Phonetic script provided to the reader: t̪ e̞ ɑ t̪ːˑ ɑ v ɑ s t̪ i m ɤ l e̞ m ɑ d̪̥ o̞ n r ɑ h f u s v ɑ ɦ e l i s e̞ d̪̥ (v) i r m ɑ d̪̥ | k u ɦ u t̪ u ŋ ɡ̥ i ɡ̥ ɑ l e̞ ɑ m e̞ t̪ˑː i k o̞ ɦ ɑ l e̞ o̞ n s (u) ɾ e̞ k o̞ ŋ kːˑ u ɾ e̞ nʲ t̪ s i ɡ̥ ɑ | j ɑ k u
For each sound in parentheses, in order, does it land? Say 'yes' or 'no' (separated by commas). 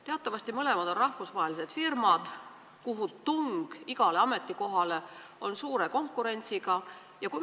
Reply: no, no